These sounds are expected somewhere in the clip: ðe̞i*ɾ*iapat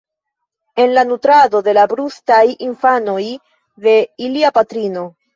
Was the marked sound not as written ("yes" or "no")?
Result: yes